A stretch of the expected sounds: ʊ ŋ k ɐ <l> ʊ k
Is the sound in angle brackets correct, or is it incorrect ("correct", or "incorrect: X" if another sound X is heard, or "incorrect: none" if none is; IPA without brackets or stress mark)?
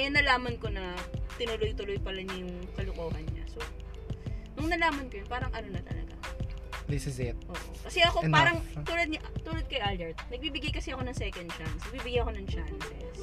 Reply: correct